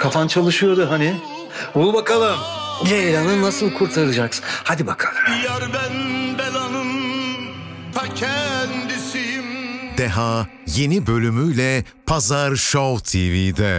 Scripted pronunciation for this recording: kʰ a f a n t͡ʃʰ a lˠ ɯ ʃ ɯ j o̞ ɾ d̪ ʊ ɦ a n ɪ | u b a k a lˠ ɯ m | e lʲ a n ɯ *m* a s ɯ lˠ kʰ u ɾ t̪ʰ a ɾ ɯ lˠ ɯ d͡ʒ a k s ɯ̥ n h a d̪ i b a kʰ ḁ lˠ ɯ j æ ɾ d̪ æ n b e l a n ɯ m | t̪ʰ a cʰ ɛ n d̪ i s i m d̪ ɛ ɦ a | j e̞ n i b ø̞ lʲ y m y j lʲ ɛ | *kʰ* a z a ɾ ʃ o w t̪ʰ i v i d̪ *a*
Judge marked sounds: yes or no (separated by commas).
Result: no, no, no